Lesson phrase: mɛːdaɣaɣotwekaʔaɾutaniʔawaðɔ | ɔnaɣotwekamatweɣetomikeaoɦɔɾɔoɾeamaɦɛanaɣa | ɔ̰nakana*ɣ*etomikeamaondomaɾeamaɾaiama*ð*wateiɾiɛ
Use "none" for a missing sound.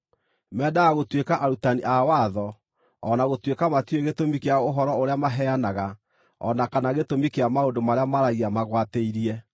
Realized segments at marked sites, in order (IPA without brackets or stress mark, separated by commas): ɣ, ɣ